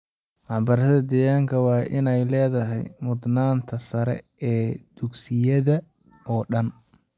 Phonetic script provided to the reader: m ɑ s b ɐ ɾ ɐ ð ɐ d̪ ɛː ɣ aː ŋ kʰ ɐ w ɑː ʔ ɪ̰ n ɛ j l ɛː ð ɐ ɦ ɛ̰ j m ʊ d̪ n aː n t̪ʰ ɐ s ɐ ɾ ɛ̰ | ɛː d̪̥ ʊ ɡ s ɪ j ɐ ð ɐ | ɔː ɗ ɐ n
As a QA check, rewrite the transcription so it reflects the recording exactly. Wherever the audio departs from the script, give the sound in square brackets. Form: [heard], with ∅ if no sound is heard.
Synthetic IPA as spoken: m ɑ [ħ] b ɐ ɾ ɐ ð ɐ d̪ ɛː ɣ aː ŋ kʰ ɐ w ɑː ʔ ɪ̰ n ɛ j l ɛː ð ɐ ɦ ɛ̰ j m ʊ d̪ n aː n t̪ʰ ɐ s ɐ ɾ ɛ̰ | ɛː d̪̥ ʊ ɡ s ɪ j ɐ ð ɐ | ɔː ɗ ɐ n